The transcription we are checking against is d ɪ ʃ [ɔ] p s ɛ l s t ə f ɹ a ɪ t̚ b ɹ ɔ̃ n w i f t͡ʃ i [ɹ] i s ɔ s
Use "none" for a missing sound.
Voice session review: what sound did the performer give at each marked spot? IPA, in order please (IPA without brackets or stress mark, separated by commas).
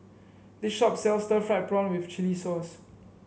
ɔ, l